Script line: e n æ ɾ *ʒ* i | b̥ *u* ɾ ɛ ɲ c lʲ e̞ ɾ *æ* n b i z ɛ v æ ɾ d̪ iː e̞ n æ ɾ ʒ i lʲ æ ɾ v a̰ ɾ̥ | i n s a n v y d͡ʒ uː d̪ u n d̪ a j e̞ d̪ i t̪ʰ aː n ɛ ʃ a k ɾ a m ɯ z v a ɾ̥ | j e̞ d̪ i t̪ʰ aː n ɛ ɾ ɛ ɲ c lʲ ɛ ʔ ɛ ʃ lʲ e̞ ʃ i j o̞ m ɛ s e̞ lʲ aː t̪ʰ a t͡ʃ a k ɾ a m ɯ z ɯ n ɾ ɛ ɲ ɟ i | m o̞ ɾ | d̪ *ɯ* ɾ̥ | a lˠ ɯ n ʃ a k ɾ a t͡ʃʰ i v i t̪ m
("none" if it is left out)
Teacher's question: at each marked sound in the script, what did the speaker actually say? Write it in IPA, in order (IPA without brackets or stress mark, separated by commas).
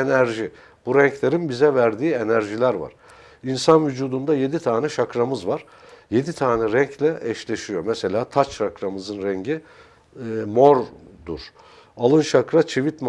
ʒ, u, i, u